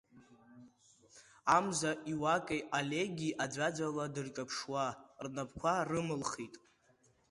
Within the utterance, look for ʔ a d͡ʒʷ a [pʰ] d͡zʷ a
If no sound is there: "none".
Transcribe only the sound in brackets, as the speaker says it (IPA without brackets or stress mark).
none